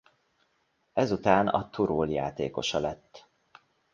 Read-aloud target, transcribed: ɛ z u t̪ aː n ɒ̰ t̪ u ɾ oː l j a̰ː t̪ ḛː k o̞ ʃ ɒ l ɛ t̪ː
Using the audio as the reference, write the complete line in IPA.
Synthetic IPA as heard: ɛ z u t̪ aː n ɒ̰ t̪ u ɾ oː l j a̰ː t̪ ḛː k o̞ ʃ ɒ l ɛ t̪ː